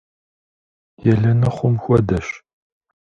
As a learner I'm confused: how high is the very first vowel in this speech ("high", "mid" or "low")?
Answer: mid